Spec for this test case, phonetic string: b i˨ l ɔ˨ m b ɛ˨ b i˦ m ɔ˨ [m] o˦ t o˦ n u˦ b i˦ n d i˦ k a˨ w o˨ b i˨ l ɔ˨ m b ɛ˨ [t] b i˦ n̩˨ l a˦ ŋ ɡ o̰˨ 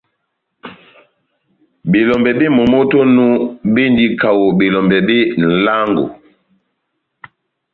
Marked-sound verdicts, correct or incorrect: correct, incorrect: none

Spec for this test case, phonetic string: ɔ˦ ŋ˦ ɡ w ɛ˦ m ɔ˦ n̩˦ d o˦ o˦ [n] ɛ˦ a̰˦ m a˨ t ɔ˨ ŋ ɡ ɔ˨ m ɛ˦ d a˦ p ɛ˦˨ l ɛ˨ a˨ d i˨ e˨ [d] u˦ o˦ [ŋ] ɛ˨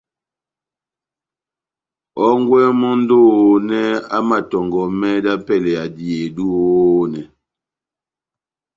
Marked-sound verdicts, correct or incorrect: correct, correct, incorrect: n

